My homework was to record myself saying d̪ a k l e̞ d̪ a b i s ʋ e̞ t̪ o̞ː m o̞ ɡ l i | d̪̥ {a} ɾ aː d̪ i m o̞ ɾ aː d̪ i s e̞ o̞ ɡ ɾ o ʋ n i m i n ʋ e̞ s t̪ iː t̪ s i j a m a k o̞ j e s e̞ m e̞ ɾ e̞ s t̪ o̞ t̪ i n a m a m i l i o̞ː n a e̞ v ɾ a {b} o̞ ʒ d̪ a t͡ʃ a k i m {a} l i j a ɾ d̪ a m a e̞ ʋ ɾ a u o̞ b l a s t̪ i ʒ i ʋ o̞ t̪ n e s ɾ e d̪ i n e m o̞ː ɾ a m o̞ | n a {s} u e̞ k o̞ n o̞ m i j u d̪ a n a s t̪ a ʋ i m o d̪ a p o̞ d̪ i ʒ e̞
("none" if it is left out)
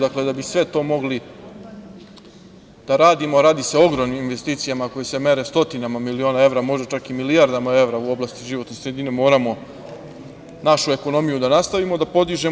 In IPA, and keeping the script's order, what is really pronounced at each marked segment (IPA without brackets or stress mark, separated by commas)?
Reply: a, m, i, ʃ